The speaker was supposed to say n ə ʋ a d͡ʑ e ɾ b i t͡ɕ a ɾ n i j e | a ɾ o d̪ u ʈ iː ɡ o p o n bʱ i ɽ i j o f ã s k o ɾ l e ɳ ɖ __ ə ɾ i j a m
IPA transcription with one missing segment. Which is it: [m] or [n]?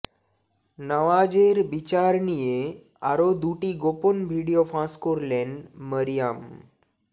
m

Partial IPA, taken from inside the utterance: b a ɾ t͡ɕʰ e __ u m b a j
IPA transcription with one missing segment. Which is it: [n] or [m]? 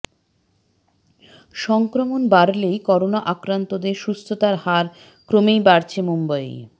m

